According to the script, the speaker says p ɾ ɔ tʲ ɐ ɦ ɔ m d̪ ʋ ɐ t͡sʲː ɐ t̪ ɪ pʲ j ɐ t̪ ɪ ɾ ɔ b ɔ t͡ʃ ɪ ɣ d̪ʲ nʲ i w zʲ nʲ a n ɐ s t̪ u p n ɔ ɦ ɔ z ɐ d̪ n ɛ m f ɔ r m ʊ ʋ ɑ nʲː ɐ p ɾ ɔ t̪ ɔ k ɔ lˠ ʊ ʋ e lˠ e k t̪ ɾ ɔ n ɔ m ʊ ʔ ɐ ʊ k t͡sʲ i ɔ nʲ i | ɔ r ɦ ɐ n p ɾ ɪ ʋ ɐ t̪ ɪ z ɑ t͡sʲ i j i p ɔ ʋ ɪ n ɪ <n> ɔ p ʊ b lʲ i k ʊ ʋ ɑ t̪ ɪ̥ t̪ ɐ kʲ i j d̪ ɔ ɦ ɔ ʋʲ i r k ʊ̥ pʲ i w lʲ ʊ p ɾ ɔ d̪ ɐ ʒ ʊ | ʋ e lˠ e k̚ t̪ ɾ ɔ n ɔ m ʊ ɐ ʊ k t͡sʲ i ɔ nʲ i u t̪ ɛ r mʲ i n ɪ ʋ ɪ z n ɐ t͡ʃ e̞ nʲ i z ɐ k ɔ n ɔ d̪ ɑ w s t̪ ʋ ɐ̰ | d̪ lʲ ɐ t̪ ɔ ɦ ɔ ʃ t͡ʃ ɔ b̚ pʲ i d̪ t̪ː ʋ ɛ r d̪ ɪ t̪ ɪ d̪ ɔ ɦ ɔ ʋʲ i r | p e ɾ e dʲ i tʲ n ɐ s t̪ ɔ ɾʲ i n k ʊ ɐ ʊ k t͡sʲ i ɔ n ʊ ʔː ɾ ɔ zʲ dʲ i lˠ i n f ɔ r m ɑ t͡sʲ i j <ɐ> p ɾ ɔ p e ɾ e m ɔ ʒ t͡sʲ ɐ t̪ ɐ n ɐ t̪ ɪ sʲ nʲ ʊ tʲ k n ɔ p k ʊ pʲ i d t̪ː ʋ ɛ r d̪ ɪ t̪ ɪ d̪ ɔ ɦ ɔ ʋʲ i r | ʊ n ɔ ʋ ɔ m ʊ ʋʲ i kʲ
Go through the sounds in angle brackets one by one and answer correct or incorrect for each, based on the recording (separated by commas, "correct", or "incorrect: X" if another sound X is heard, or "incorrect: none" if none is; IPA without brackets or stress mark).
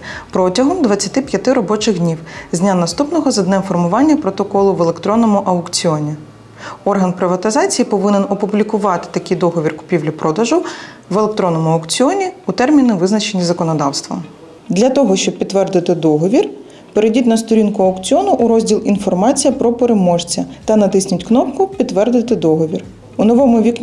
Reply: correct, correct